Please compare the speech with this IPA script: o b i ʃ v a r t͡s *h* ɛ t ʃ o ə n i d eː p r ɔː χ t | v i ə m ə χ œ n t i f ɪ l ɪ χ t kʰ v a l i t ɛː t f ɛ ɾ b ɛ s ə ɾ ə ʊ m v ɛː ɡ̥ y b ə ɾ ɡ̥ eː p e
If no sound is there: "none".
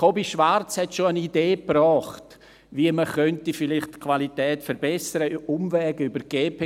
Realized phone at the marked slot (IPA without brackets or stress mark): h